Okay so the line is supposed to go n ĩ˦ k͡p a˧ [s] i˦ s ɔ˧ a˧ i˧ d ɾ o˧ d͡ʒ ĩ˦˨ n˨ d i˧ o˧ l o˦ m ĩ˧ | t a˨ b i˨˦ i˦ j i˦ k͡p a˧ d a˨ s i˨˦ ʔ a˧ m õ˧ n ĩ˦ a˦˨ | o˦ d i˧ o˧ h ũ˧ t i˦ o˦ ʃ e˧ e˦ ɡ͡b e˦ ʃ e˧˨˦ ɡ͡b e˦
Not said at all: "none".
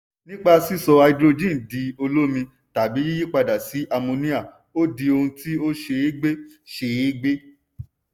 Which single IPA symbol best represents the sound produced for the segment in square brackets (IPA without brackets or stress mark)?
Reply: s